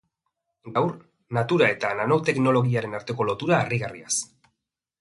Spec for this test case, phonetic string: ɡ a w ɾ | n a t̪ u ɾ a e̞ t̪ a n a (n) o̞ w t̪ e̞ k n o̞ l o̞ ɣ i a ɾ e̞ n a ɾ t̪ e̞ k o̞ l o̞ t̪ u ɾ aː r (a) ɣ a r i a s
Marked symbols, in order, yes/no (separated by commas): yes, no